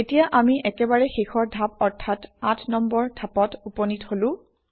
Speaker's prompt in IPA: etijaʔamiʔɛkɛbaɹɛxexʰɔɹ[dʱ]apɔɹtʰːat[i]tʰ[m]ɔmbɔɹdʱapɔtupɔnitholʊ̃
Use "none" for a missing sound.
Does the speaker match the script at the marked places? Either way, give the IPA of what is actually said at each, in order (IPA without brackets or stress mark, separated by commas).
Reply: dʱ, a, n